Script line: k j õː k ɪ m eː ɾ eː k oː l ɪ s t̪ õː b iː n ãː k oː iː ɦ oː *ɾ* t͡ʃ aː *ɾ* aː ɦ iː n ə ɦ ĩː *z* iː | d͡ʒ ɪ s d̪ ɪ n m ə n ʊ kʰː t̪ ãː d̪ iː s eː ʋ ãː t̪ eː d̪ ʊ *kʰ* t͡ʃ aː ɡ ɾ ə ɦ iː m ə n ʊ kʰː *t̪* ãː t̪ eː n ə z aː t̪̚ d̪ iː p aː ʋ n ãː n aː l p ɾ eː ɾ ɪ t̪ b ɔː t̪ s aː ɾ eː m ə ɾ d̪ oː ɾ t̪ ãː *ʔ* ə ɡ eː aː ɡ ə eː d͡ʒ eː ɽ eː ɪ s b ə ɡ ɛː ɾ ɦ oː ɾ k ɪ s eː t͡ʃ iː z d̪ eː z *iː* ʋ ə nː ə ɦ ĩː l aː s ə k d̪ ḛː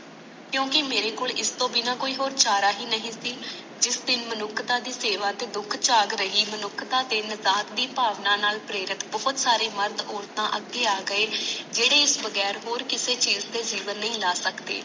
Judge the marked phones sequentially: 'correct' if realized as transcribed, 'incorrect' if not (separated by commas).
correct, correct, incorrect, correct, correct, correct, correct